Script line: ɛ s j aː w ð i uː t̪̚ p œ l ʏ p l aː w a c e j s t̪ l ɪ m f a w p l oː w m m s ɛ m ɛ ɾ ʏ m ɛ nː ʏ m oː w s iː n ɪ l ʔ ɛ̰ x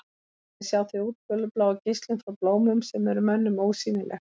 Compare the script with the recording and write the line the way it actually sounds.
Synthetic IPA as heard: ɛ s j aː w θ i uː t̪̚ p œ l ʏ p l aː w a c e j s t̪ l ɪ n f a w p l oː w m m s ɛ m ɛ ɾ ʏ m ɛ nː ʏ m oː w s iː n ɪ l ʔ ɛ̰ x